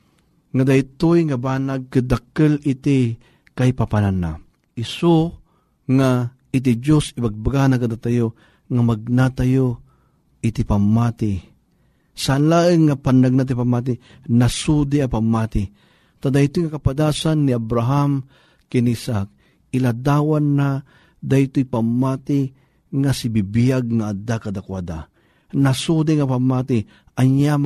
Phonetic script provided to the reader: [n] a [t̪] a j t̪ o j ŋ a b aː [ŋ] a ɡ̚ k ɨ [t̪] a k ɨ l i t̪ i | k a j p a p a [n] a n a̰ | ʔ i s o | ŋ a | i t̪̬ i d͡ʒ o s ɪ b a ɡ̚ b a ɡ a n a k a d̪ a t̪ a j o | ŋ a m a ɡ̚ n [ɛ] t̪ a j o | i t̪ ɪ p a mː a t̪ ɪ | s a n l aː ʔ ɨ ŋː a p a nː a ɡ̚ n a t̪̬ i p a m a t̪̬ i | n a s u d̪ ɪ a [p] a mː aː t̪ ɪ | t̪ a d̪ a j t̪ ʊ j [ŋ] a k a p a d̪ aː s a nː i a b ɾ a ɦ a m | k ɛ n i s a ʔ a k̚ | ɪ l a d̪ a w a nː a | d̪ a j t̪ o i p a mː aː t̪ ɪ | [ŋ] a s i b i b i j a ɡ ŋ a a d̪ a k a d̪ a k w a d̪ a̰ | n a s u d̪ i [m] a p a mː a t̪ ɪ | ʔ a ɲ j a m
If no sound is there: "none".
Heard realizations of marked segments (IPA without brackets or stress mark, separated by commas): ŋ, d̪, n, d̪, n, a, p, ŋ, ŋ, ŋ